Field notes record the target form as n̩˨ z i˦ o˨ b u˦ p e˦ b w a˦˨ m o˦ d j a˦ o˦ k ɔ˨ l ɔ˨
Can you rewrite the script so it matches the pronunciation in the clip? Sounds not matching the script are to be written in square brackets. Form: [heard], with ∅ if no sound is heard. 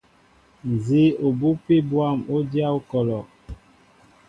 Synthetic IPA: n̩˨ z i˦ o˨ b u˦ p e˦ b w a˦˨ m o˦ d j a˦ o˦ k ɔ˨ l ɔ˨